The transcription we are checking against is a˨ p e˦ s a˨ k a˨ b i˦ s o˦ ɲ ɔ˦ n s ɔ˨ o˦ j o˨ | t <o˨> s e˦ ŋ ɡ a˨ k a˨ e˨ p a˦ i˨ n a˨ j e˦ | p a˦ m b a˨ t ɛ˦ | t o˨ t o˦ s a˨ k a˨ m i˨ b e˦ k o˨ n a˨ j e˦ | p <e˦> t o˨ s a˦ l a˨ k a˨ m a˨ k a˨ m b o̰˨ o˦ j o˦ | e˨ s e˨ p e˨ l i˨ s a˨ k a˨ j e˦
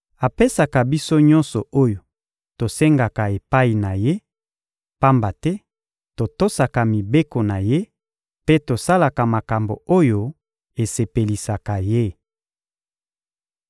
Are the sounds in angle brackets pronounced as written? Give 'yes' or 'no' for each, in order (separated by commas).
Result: yes, yes